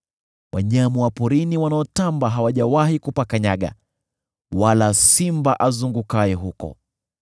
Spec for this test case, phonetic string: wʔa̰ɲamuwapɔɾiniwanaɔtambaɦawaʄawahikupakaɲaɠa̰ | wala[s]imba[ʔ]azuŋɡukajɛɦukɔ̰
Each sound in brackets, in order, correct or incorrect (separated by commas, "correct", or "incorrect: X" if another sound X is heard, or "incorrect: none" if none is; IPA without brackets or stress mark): correct, correct